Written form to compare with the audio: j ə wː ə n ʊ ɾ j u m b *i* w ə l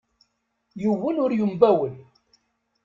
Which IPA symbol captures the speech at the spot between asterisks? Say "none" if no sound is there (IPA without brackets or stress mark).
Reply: æ